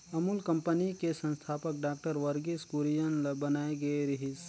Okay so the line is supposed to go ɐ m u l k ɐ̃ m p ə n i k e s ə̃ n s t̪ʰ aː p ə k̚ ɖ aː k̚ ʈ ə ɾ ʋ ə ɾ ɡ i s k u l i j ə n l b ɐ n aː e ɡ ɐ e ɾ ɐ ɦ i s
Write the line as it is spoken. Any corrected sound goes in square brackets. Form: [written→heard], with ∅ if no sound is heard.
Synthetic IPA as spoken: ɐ m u l k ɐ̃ m p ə n i k e s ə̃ n s t̪ʰ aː p ə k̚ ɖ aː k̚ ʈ ə ɾ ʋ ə ɾ ɡ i s k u [l→ɾ] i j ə n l b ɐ n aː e ɡ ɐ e ɾ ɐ ɦ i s